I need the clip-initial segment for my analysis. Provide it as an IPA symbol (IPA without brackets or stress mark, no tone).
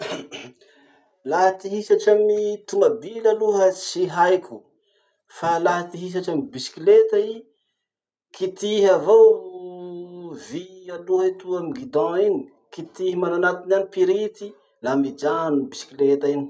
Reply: l